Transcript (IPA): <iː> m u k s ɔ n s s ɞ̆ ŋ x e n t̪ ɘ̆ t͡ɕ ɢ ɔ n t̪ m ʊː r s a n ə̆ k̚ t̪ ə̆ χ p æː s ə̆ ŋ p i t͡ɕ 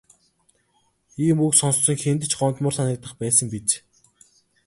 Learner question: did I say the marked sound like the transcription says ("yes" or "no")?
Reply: yes